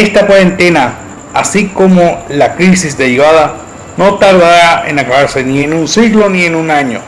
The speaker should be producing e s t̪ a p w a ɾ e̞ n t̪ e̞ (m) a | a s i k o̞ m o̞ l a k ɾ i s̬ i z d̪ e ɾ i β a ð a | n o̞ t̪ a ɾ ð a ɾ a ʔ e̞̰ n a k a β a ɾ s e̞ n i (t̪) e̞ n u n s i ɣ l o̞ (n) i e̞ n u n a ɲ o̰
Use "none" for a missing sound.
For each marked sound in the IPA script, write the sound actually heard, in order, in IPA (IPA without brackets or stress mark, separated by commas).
n, none, n